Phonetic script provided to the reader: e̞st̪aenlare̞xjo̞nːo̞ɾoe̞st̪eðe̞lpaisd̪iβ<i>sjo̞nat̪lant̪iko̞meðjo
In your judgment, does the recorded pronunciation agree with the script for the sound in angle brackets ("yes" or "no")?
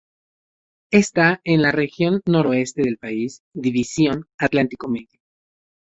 yes